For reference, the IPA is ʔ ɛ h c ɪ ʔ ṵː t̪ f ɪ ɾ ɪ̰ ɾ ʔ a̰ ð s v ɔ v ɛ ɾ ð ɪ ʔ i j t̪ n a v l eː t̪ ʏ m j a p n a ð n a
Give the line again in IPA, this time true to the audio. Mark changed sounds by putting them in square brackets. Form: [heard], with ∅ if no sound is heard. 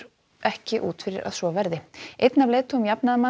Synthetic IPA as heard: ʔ ɛ h c ɪ ʔ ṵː t̪ f ɪ ɾ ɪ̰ ɾ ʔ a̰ ð s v ɔ v ɛ ɾ ð ɪ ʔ [e] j t̪ n a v l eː t̪ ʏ m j a p n a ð [m] a